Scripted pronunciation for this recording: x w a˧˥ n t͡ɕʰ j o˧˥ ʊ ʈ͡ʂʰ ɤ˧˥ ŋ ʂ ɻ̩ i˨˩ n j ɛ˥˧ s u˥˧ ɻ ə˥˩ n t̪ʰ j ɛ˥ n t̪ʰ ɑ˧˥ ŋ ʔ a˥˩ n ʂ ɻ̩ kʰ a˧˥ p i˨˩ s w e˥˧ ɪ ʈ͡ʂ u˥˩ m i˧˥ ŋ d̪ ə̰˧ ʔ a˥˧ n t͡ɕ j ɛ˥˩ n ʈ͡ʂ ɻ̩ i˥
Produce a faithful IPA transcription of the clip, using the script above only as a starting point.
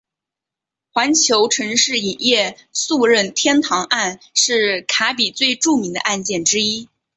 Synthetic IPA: x w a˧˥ n t͡ɕʰ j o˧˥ ʊ ʈ͡ʂʰ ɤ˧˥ ŋ ʂ ɻ̩ i˨˩ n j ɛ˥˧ s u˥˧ ɻ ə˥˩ n t̪ʰ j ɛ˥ n t̪ʰ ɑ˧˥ ŋ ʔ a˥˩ n ʂ ɻ̩ kʰ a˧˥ p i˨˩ t͡s w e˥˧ ɪ ʈ͡ʂ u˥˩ m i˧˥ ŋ d̪ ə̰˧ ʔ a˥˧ n t͡ɕ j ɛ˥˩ n ʈ͡ʂ ɻ̩ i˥